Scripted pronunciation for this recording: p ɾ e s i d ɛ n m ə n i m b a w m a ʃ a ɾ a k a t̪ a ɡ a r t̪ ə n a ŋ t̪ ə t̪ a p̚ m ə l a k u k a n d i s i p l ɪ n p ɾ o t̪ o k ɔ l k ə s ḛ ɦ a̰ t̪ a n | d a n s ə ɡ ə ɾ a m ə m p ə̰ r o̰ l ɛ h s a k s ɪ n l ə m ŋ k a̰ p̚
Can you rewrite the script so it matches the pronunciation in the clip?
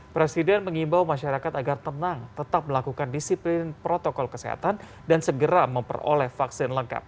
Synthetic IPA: p ɾ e s i d ɛ n m ə ŋ i m b a w m a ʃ a ɾ a k a t̪ a ɡ a r t̪ ə n a ŋ t̪ ə t̪ a p̚ m ə l a k u k a n d i s i p l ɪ n p ɾ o t̪ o k ɔ l k ə s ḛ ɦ a̰ t̪ a n | d a n s ə ɡ ə ɾ a m ə m p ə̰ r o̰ l ɛ h f a k s ɪ n l ə ŋ k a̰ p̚